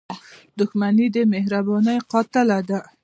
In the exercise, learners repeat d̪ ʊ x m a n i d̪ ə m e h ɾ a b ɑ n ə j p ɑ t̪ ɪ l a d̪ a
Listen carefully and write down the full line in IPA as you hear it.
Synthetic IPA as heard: d̪ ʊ x m a n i d̪ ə m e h ɾ a b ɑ n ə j q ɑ t̪ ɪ l a d̪ a